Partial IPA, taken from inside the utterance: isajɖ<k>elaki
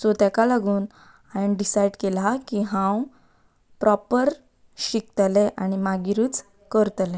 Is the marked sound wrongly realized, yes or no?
no